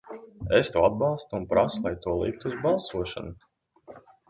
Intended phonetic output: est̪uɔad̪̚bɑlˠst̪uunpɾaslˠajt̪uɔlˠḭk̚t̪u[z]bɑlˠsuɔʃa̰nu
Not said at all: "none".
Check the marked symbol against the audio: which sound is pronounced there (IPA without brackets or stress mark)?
z